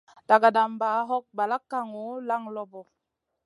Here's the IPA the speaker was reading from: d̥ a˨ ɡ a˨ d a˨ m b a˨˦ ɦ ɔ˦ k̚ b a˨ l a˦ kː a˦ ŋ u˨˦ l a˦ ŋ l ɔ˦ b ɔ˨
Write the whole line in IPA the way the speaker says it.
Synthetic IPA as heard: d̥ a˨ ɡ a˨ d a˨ m b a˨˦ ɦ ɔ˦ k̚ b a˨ l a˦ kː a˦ ŋ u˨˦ l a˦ ŋ l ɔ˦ b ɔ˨